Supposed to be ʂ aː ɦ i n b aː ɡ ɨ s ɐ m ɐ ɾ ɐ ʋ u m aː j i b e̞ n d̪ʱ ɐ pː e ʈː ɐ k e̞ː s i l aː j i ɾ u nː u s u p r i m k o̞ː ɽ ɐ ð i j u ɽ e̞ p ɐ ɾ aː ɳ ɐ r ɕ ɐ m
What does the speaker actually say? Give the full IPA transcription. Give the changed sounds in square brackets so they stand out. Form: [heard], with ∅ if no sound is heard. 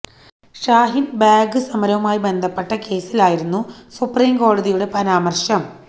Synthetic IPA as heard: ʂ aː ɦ i n b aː ɡ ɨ s ɐ m ɐ ɾ ɐ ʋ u m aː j i b e̞ n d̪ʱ ɐ pː e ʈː ɐ k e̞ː s i l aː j i ɾ u nː u s u p r [iː] m k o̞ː ɽ ɐ ð i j u ɽ e̞ p ɐ ɾ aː [m] ɐ r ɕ ɐ m